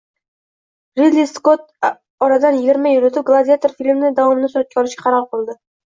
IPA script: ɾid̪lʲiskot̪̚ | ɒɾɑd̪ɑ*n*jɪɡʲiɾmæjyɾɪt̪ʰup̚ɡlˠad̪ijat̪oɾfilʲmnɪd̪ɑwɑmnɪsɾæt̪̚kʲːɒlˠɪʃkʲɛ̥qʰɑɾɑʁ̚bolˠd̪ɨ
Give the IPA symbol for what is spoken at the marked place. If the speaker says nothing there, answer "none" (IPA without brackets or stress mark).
n